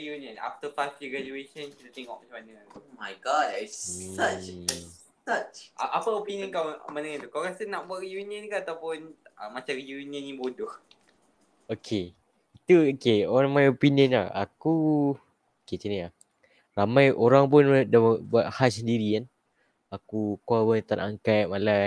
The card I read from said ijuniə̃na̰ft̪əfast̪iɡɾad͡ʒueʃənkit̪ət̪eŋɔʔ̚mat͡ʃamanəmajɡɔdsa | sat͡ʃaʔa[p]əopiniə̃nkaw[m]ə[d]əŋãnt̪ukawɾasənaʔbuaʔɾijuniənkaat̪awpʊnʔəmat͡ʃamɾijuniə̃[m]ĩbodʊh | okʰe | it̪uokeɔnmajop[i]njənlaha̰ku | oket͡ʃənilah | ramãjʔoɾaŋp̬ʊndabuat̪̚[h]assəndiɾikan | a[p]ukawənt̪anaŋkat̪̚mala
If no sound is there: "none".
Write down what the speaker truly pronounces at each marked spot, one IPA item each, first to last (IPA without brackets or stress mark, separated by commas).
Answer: p, m, n, n, i, h, k